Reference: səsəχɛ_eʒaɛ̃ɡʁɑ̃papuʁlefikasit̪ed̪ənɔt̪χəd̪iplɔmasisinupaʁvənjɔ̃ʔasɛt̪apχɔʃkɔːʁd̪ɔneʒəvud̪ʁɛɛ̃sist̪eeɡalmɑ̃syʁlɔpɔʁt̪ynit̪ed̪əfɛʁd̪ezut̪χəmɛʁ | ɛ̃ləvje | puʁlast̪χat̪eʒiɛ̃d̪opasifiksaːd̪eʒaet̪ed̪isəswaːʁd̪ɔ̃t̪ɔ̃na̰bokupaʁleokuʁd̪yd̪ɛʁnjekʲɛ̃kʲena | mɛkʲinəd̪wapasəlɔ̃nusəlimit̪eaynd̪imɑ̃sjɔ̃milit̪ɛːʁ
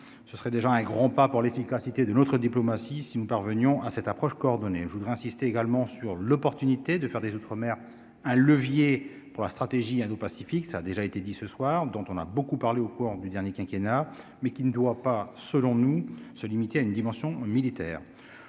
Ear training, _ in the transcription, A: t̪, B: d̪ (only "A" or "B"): B